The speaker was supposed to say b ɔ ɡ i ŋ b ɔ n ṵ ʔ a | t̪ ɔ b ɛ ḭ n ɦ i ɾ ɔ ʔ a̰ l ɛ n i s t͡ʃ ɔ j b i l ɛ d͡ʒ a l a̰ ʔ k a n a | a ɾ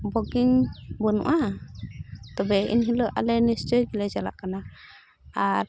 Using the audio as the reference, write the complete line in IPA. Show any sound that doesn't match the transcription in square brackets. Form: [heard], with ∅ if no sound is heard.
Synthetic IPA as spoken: b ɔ ɡ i ŋ b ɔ n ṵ ʔ a | t̪ ɔ b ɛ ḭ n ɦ i [l] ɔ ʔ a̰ l ɛ n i s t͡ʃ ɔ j [ɡ] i l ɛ d͡ʒ a l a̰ ʔ k a n a | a ɾ